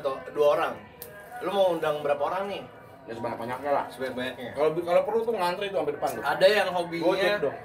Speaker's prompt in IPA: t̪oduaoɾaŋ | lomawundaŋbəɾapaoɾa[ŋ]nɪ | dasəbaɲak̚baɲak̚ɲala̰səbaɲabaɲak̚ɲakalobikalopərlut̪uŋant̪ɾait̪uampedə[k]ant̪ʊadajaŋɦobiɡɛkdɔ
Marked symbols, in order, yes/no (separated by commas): yes, no